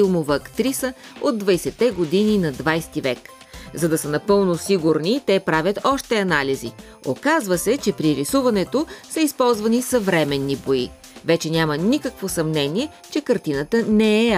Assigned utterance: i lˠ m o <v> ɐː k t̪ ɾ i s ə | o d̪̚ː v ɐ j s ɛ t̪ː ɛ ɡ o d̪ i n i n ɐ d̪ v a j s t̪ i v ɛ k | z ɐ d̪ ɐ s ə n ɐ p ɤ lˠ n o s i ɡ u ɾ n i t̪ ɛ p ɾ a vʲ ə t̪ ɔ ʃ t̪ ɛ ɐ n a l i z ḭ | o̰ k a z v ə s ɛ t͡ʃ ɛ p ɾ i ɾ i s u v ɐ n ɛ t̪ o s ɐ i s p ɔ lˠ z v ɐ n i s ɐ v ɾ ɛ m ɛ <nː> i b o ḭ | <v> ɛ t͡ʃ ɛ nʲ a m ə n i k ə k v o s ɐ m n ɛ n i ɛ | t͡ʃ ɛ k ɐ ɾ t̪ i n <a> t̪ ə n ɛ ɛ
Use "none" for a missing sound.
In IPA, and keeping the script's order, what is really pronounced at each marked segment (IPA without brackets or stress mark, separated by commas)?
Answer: v, nː, v, ə